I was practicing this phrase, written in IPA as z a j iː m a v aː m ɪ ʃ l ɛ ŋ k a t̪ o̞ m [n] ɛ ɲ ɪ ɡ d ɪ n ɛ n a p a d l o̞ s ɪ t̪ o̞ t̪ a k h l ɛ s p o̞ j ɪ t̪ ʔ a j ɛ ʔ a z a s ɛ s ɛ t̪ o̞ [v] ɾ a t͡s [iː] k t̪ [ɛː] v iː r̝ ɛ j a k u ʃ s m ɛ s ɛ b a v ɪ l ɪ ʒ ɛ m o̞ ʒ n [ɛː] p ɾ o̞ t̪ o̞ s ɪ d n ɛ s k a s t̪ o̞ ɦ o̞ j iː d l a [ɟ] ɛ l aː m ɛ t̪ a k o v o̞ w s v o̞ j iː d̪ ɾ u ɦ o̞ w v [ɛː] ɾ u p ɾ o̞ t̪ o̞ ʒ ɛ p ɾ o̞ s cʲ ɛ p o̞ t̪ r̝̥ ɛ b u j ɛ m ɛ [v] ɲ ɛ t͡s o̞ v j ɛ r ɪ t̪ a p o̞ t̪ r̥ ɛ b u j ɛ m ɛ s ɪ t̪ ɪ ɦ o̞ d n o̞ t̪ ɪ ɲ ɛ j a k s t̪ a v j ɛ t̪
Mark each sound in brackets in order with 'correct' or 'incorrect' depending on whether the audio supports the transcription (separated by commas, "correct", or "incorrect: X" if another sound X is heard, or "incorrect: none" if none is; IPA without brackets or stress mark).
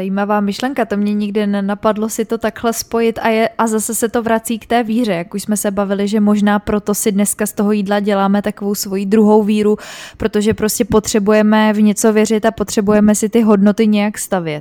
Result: incorrect: ɲ, correct, correct, correct, incorrect: aː, correct, incorrect: iː, correct